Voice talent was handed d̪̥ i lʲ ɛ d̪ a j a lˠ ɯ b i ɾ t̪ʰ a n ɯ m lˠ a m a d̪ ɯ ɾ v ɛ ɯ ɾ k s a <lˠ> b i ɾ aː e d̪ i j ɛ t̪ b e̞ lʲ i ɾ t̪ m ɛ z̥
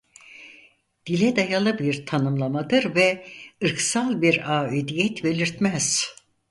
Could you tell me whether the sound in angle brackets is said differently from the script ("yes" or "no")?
no